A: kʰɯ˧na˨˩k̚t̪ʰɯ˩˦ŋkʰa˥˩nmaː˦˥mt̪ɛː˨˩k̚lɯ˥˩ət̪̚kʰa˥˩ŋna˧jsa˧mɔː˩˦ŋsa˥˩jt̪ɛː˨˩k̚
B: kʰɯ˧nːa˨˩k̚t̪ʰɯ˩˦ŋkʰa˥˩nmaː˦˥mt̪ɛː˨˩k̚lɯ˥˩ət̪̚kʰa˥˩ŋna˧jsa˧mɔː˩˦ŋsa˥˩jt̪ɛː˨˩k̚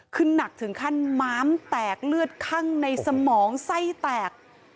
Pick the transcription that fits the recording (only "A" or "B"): B